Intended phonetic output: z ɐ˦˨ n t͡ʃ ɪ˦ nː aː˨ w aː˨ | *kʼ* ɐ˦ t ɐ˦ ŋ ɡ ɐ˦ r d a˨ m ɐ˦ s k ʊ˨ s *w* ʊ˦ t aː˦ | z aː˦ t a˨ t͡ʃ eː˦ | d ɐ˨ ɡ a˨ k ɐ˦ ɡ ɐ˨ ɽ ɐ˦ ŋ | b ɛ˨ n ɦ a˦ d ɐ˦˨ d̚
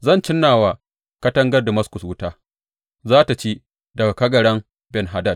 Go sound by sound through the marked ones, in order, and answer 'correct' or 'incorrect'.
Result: incorrect: k, correct

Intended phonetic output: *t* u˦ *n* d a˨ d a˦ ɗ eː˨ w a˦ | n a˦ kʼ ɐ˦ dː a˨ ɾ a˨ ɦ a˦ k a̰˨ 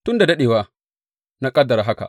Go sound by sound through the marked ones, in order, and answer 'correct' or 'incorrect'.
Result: correct, correct

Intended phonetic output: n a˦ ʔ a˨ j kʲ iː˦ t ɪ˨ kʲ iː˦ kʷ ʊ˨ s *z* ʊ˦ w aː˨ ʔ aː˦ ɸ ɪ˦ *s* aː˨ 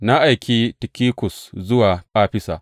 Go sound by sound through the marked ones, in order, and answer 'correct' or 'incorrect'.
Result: correct, correct

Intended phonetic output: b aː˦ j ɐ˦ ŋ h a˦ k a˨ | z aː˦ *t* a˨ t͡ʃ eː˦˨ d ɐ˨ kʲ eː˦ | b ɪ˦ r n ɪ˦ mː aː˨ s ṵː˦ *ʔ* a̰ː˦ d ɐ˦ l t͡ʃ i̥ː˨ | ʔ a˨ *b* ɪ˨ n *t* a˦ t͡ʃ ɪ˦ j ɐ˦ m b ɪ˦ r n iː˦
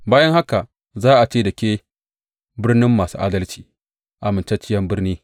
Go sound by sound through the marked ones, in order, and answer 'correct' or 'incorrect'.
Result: incorrect: ʔ, correct, incorrect: m, incorrect: t͡ʃ

